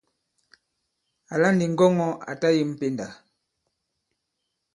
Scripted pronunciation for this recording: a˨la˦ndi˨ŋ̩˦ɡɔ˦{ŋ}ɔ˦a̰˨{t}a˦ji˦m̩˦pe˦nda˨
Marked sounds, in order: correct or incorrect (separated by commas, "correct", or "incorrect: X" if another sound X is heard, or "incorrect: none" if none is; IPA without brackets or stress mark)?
correct, correct